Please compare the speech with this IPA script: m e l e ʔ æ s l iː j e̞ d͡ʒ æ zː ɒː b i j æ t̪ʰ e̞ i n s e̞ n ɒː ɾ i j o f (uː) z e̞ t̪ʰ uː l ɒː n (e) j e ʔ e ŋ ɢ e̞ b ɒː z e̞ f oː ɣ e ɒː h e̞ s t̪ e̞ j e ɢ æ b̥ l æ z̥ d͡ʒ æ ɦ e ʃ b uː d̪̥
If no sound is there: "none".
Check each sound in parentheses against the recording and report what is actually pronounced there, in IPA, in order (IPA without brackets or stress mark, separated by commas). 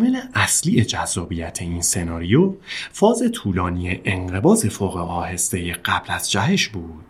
ɒː, i